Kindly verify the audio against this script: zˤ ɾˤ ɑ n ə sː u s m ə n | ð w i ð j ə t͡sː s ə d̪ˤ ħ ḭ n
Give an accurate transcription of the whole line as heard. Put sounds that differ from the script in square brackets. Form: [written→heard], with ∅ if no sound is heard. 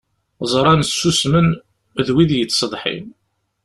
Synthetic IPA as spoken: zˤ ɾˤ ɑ n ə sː u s m ə n | ð w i ð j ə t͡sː s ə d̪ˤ ħ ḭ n

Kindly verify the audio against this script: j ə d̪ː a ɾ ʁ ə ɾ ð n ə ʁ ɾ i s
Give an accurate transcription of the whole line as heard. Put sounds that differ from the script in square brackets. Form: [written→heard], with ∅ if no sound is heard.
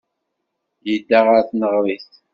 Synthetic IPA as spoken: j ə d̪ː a [ɾ→∅] ʁ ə ɾ [ð→θ] n ə ʁ ɾ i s

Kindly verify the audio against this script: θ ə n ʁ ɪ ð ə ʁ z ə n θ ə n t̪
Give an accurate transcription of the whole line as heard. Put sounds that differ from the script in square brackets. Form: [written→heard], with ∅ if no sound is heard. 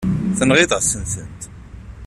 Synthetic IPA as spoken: θ ə n ʁ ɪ ð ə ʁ [z→s] ə n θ ə n t̪

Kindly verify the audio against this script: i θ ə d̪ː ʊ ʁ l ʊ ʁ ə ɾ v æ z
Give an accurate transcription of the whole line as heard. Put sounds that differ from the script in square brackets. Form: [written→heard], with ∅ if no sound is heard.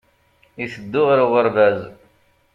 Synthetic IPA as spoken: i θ ə d̪ː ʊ ʁ [l→ɾ] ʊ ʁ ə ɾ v æ z

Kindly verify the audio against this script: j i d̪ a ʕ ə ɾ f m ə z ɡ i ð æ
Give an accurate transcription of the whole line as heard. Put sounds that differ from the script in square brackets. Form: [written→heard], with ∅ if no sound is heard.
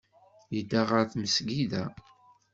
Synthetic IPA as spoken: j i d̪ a [ʕ→ʁ] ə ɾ [f→θ] m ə [z→s] ɡ i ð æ

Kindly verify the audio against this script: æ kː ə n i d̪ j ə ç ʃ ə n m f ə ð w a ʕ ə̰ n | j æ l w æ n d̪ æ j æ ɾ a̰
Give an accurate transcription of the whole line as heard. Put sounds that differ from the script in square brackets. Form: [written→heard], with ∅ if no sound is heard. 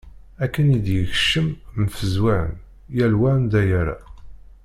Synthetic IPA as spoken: æ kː ə n i d̪ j ə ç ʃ ə [n→m] m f ə [ð→z] w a ʕ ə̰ n | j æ l w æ n d̪ æ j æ ɾ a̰

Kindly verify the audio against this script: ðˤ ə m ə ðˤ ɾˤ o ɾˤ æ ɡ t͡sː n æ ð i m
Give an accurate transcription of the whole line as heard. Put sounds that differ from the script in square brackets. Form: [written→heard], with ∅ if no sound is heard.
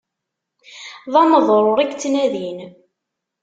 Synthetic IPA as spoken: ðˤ [ə→ɑ] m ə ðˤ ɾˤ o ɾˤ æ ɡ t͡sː n æ ð i [m→n]

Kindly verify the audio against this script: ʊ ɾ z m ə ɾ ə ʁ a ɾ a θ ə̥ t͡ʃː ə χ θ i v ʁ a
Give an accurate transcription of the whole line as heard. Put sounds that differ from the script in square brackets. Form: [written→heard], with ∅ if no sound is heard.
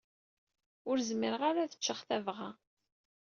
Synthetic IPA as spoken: ʊ ɾ z m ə ɾ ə ʁ a ɾ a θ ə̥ t͡ʃː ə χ θ [i→æ] v ʁ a

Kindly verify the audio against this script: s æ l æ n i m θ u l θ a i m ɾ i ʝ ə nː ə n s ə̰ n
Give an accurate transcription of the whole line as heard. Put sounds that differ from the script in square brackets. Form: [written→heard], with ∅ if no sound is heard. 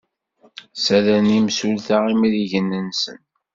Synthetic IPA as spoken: s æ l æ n i m [θ→s] u l θ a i m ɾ i ʝ ə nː ə n s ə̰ n

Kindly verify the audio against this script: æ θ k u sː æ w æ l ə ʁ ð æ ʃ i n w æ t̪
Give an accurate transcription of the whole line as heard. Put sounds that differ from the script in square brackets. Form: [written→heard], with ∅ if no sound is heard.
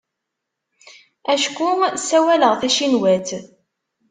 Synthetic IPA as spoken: æ [θ→ʃ] k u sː æ w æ l ə ʁ [ð→θ] æ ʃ i n w æ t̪

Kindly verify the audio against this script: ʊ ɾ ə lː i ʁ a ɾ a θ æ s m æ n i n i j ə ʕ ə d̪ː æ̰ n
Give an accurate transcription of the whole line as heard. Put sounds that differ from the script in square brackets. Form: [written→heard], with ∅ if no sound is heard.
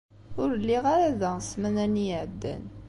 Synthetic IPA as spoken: ʊ ɾ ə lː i ʁ a ɾ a [θ→ð] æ s m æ n [i→æ] n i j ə ʕ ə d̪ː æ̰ n

